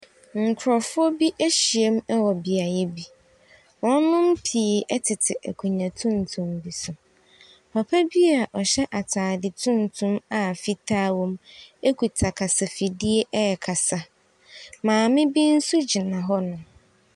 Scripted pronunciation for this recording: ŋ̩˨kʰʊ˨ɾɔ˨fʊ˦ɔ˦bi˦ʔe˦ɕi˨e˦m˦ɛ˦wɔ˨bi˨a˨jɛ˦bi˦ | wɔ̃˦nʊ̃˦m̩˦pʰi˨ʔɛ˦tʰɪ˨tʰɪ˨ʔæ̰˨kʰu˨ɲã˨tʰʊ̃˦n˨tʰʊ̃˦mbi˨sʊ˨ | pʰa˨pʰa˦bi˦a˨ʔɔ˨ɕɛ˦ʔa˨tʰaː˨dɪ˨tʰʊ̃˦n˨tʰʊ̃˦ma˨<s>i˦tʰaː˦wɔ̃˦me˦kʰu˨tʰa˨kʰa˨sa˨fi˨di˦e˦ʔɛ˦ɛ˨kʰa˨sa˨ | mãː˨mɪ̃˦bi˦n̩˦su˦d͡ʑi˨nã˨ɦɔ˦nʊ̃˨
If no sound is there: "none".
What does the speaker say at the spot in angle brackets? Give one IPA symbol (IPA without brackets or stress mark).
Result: f